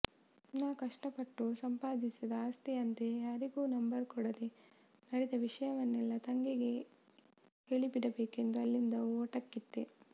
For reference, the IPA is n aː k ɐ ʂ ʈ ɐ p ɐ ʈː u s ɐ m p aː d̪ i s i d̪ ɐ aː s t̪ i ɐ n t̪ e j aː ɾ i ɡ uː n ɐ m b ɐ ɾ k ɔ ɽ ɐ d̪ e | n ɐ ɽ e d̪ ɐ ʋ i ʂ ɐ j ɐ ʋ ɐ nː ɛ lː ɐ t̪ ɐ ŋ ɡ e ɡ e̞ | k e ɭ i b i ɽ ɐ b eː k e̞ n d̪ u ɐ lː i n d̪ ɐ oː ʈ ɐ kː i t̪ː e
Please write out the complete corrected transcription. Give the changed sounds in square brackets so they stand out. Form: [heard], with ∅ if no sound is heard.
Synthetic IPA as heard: n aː k ɐ ʂ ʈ ɐ p ɐ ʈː u s ɐ m p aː d̪ i s i d̪ ɐ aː s t̪ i ɐ n t̪ e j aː ɾ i ɡ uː n ɐ m b ɐ ɾ k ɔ ɽ ɐ d̪ e | n ɐ ɽ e d̪ ɐ ʋ i ʂ ɐ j ɐ ʋ ɐ nː ɛ lː ɐ t̪ ɐ ŋ ɡ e ɡ e̞ | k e ɭ i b i ɽ ɐ b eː k e̞ n d̪ u ɐ lː i n d̪ ɐ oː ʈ ɐ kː i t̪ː e